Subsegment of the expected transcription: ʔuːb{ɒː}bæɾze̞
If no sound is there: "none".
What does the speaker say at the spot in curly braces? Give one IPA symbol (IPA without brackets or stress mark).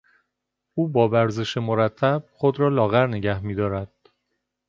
ɒː